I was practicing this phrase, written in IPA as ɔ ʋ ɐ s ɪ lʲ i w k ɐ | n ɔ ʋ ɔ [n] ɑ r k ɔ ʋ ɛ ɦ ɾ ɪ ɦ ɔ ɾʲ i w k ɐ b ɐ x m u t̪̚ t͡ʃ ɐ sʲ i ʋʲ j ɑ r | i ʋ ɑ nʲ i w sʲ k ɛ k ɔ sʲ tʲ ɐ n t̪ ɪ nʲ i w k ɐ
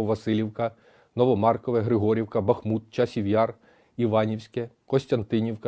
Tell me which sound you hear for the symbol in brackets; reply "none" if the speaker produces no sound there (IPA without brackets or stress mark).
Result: m